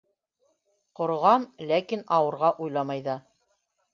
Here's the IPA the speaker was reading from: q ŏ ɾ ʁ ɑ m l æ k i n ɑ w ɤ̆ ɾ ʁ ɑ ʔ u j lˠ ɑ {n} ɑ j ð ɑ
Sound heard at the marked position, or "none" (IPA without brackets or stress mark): m